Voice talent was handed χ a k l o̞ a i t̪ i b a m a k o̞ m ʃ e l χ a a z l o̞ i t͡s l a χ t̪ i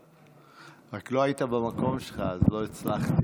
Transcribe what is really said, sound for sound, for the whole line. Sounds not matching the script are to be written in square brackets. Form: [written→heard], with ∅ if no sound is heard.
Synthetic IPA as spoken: [χ→ʁ] a k l o̞ a i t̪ [i→a] b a m a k o̞ m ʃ e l χ a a z l o̞ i t͡s l a χ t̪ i